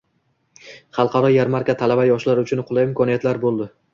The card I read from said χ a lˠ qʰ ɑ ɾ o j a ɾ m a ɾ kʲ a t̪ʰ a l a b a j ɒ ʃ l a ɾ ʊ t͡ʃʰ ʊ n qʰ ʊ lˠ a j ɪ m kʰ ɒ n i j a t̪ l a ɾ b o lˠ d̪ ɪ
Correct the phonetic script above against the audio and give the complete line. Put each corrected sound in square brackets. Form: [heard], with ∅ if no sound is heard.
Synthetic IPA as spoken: χ [ɑ] lˠ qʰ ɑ ɾ [ɒ] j a ɾ m a ɾ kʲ a t̪ʰ a l a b a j ɒ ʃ l a ɾ ʊ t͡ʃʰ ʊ n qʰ ʊ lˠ a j ɪ m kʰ ɒ n i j a t̪ l a ɾ b o lˠ d̪ ɪ